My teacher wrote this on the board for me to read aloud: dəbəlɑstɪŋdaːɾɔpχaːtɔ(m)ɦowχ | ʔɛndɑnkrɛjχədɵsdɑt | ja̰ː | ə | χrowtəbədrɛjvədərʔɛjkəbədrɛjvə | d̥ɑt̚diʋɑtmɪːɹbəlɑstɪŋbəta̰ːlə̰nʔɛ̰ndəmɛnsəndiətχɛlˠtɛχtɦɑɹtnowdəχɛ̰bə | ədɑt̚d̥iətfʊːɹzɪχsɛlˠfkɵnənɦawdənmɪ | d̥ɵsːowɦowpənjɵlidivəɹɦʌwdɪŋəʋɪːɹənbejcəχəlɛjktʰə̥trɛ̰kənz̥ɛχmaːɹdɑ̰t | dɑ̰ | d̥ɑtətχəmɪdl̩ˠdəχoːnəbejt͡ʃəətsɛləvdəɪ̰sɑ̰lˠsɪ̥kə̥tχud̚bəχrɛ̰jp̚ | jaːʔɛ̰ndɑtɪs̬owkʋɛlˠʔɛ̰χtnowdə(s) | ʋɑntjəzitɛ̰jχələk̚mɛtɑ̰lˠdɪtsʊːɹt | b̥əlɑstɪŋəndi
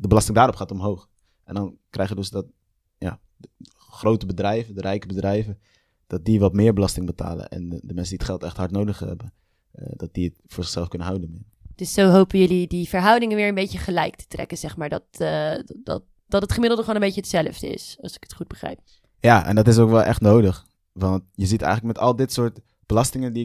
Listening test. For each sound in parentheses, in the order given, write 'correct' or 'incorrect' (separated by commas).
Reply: correct, incorrect